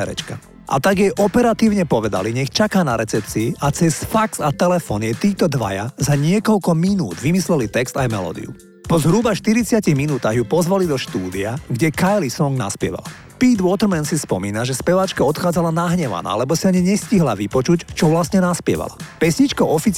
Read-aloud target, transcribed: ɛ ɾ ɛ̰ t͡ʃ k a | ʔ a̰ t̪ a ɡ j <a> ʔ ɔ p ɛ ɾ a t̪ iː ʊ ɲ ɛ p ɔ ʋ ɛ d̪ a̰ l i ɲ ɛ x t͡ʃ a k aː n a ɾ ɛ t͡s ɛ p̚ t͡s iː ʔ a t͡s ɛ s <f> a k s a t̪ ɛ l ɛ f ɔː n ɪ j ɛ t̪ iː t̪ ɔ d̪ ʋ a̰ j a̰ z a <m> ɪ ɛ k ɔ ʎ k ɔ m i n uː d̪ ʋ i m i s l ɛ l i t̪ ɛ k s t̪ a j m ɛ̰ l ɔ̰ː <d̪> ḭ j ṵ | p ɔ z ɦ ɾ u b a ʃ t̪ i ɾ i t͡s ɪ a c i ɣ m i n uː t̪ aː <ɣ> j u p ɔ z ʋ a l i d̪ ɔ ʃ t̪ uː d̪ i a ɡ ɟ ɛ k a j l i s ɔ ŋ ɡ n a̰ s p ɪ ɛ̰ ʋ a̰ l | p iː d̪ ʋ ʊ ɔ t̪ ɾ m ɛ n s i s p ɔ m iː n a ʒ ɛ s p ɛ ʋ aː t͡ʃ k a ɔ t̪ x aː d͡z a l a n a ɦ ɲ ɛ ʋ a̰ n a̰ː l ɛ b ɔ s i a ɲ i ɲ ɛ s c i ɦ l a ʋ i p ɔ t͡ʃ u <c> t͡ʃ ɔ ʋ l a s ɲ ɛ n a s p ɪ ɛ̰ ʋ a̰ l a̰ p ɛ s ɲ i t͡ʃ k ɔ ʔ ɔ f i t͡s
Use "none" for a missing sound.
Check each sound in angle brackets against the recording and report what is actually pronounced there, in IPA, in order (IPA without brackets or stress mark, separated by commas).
ɛ, f, ɲ, d̪, ɣ, c